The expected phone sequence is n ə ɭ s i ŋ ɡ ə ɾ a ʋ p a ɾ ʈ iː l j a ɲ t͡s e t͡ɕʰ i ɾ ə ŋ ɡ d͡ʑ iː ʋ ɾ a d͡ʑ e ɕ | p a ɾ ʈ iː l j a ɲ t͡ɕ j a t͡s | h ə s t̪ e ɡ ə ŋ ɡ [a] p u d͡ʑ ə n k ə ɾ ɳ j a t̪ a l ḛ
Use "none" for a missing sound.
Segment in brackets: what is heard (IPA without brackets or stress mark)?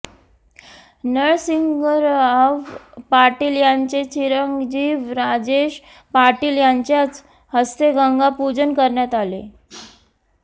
a